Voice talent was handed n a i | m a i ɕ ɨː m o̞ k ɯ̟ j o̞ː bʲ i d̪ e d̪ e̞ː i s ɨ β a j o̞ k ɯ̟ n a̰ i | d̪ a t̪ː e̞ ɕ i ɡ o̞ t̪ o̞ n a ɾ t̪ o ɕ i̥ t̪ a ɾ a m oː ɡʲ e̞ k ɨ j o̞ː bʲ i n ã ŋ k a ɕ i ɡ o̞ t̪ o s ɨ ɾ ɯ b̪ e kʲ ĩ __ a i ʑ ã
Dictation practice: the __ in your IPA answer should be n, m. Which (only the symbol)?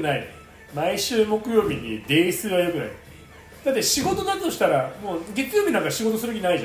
n